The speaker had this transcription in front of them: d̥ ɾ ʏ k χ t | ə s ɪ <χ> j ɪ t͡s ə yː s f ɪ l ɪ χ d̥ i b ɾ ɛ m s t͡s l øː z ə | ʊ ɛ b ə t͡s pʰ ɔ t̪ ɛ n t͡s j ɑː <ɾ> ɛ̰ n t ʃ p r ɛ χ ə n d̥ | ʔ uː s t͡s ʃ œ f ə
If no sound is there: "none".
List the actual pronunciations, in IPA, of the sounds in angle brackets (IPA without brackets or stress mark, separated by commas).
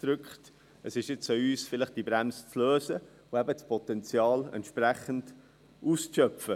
ʃ, l